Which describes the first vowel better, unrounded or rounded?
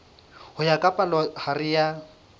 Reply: rounded